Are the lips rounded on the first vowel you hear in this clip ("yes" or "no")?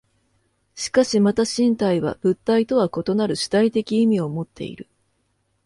no